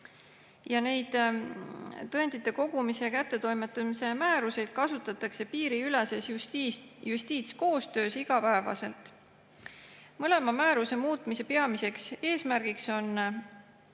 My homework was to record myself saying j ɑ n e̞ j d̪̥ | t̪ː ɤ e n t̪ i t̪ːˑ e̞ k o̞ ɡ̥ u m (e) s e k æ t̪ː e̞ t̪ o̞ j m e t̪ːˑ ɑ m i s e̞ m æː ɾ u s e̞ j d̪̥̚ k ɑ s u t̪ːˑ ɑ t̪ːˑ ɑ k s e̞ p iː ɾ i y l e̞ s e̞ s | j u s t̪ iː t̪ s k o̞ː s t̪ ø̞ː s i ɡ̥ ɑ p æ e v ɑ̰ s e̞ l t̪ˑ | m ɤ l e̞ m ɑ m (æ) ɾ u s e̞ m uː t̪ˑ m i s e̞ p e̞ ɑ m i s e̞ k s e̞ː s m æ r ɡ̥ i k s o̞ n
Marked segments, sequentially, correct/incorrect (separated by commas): incorrect, incorrect